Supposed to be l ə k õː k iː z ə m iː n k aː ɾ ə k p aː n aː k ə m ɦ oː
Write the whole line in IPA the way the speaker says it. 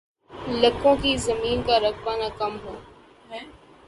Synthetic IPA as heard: l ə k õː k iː z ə m iː n k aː ɾ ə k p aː n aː k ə m ɦ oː